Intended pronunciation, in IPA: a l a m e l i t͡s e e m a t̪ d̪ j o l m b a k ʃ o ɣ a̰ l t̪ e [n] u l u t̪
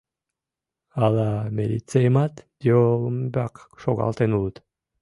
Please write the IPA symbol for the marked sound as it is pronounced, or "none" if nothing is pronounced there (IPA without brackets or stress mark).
n